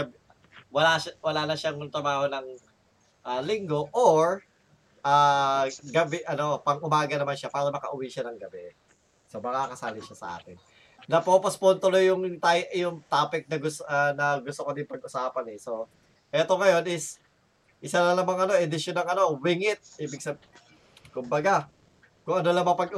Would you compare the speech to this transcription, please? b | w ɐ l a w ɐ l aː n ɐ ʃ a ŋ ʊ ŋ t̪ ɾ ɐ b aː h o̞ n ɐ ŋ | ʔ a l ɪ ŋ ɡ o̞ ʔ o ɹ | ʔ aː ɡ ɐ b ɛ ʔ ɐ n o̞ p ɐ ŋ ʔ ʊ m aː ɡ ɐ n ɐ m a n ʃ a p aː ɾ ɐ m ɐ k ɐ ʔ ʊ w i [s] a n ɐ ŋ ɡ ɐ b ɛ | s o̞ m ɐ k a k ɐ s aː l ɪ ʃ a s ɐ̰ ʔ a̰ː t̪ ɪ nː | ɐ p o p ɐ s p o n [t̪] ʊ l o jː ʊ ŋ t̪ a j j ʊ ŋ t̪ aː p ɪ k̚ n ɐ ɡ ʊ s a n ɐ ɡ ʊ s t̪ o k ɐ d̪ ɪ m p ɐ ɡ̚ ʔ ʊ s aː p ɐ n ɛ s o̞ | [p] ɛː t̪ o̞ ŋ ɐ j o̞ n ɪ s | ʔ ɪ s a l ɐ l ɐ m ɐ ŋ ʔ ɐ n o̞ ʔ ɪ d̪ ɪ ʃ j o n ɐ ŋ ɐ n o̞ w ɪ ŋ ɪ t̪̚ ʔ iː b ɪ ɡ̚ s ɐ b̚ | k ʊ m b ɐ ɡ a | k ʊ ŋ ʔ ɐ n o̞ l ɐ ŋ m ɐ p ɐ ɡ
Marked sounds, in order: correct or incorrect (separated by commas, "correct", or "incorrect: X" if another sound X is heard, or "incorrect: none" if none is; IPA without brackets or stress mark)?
incorrect: ʃ, correct, incorrect: ʔ